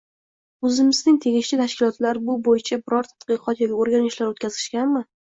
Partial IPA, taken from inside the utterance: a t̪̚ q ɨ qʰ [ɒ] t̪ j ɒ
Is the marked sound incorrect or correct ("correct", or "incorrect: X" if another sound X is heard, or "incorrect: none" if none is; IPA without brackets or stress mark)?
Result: correct